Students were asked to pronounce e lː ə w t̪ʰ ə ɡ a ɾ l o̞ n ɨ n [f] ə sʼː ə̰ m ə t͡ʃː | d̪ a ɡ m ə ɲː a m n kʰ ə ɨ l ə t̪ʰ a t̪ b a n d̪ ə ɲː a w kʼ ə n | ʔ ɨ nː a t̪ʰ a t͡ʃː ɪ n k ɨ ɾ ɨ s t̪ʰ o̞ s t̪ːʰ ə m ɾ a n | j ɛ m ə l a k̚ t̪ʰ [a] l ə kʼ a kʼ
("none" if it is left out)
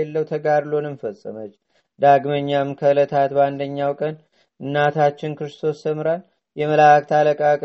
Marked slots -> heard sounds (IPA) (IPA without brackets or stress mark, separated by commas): f, a